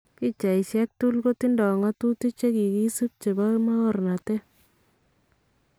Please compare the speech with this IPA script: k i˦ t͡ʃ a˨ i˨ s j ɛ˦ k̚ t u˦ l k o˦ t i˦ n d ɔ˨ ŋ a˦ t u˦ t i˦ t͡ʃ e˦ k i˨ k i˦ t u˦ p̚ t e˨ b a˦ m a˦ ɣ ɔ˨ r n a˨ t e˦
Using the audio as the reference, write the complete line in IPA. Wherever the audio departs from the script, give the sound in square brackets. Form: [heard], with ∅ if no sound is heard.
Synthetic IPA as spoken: k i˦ t͡ʃ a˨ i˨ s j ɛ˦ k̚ t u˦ l k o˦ t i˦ n d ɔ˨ ŋ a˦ t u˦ t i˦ t͡ʃ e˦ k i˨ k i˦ [s] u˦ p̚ [t͡ʃ] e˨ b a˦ m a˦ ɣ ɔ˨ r n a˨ t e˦